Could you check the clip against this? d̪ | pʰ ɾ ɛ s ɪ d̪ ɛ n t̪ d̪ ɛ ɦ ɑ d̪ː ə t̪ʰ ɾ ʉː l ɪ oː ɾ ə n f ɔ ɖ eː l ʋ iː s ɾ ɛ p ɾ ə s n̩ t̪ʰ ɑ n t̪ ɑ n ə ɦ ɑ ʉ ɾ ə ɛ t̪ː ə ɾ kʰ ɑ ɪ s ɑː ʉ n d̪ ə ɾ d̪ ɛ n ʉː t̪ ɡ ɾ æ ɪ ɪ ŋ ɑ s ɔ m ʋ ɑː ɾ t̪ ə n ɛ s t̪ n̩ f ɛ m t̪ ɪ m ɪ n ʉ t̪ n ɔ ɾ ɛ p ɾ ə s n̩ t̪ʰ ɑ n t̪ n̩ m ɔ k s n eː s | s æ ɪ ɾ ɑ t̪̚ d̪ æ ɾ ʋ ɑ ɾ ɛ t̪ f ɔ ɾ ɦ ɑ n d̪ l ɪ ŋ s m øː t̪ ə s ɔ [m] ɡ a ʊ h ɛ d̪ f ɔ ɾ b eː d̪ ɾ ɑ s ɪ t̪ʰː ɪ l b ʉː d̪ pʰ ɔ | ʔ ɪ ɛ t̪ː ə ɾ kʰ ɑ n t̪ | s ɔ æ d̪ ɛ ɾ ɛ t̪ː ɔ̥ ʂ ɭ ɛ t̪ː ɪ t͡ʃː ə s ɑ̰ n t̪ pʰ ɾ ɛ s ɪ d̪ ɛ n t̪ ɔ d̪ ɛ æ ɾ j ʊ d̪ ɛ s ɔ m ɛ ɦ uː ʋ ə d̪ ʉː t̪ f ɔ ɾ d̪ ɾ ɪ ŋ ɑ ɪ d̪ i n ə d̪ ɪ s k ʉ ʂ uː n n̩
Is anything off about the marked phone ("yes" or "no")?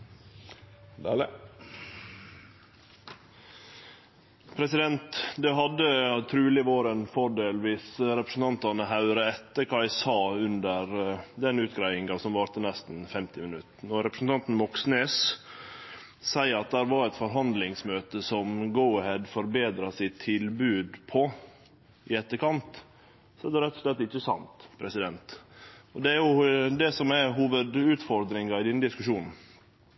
no